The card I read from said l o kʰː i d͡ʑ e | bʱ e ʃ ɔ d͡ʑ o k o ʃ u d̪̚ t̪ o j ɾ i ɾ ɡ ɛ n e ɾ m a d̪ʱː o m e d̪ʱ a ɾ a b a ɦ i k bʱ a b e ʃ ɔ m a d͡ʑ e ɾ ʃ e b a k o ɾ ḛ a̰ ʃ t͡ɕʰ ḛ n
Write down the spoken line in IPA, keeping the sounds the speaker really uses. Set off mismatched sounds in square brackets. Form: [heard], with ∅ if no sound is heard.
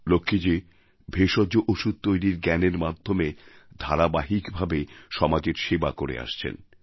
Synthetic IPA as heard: l o kʰː i d͡ʑ e | bʱ e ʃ ɔ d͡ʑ o [ʔ] o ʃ u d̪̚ t̪ o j ɾ i ɾ ɡ ɛ n e ɾ m a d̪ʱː o m e d̪ʱ a ɾ a b a ɦ i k bʱ a b e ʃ ɔ m a d͡ʑ e ɾ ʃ e b a k o ɾ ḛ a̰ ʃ t͡ɕʰ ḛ n